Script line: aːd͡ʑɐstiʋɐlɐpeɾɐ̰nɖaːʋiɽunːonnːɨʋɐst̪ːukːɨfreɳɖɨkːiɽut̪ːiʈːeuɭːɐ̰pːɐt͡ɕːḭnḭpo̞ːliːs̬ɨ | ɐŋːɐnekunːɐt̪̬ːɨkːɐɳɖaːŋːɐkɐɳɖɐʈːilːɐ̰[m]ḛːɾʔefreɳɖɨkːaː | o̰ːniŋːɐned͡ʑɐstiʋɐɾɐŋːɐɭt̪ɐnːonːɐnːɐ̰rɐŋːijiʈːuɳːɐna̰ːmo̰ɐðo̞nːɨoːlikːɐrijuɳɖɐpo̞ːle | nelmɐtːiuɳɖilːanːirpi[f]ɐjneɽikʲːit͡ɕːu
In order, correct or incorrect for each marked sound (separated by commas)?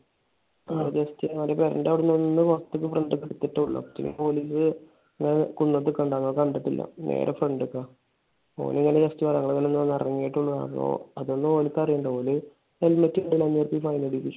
incorrect, correct